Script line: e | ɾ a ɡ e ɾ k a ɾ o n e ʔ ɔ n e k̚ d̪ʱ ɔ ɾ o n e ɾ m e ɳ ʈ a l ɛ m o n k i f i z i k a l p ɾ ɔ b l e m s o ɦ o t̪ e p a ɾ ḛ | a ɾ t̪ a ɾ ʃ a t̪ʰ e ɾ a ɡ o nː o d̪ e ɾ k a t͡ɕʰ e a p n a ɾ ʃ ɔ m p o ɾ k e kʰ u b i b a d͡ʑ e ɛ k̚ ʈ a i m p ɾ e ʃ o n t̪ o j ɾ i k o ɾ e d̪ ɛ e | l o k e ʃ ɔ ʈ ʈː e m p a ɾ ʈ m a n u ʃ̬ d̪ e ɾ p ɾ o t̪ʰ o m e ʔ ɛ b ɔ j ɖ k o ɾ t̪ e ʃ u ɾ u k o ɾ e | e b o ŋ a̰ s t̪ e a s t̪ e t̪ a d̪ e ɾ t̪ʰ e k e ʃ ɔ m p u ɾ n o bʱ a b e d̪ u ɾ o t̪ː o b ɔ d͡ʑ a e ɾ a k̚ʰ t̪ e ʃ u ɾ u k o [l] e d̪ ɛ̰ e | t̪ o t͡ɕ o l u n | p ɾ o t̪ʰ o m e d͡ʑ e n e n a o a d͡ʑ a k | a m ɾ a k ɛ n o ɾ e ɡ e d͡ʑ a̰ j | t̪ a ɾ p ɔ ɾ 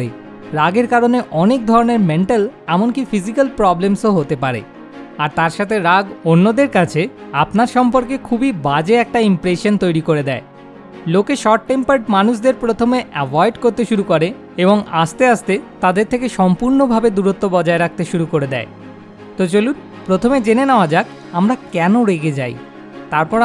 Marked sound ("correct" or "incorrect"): incorrect